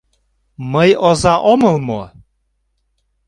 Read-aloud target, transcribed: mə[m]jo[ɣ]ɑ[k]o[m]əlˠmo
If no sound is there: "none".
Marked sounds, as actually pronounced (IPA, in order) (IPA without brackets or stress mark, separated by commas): none, z, ʔ, m